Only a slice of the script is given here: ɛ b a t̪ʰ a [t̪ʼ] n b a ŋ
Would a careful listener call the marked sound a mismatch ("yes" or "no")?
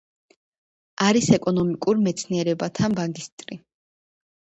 yes